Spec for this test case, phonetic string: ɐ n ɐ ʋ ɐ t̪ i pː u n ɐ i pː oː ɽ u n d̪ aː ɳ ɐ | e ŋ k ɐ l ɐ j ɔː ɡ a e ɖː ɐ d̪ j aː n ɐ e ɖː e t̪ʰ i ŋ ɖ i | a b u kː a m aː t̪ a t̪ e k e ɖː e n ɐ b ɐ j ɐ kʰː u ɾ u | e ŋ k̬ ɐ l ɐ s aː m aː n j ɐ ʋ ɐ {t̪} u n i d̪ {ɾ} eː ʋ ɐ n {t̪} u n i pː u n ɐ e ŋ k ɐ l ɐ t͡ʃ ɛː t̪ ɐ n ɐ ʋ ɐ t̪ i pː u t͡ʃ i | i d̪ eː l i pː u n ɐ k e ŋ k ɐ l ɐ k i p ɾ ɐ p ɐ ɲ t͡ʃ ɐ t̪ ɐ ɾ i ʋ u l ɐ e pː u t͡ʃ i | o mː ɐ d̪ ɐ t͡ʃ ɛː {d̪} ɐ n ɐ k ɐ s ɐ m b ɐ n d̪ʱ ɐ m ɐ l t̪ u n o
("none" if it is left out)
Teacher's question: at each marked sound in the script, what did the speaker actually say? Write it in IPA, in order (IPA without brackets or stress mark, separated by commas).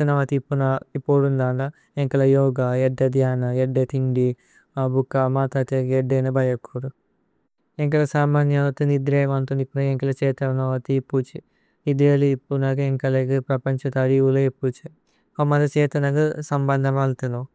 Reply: t̪, ɾ, t̪, t̪